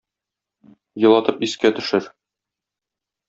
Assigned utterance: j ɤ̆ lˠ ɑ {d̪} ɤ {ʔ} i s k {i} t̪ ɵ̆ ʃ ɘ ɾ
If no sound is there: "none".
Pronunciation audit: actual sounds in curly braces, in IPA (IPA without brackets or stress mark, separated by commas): t̪, p, æ